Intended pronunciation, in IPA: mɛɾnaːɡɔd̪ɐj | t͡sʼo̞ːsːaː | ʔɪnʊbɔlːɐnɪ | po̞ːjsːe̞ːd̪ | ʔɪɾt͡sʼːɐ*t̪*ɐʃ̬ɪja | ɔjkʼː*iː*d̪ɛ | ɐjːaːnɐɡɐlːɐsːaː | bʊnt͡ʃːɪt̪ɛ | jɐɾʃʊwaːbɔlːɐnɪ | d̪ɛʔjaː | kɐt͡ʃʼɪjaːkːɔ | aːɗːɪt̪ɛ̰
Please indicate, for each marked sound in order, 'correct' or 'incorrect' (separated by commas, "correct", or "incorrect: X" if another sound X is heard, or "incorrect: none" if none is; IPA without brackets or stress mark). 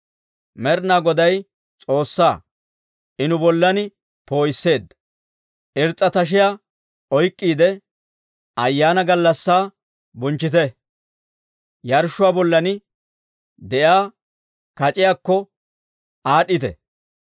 correct, correct